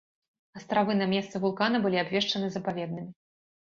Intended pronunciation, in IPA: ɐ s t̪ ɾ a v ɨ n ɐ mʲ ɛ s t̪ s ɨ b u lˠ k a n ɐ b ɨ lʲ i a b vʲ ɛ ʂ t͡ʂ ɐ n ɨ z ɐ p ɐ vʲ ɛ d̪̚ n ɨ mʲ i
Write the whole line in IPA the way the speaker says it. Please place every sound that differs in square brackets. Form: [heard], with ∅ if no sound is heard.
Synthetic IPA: ɐ s t̪ ɾ a v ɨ n ɐ mʲ ɛ s t̪ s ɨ [v] u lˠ k a n ɐ b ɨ lʲ i a b vʲ ɛ ʂ t͡ʂ ɐ n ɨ z ɐ p [a] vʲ ɛ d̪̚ n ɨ mʲ i